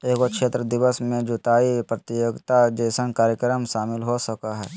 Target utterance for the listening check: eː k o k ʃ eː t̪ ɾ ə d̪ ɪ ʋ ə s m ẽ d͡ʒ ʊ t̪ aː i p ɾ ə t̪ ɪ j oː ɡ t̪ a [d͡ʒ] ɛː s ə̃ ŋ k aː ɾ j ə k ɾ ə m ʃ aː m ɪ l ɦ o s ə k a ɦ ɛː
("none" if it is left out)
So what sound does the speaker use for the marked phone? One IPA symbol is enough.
d͡ʒ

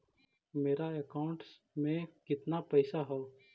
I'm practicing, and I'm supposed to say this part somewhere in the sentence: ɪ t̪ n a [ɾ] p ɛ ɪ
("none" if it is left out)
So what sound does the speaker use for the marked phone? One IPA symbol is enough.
none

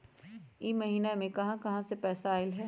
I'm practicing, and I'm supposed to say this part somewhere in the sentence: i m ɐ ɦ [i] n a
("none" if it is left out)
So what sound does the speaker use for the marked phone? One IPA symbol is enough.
iː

